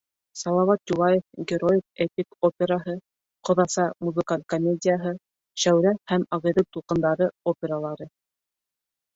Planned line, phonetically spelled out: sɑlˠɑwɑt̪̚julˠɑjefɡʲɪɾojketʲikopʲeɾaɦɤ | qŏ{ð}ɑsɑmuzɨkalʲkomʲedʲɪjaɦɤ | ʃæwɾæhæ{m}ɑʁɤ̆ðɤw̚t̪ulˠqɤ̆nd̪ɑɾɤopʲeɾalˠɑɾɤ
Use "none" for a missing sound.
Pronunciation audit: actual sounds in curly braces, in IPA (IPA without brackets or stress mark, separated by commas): ð, m